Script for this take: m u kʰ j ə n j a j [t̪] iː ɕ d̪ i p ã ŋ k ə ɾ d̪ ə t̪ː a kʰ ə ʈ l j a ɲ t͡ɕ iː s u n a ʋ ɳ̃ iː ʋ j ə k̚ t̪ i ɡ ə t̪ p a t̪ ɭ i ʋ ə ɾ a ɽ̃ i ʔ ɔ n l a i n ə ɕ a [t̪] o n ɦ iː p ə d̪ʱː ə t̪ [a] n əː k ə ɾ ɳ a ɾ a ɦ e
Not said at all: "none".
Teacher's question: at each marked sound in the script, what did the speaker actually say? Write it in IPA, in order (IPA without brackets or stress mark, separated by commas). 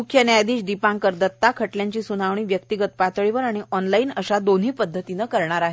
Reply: d̪, d̪, i